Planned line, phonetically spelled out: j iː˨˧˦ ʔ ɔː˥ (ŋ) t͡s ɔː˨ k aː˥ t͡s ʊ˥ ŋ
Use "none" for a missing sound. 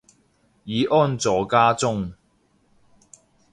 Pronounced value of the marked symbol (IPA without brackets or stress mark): n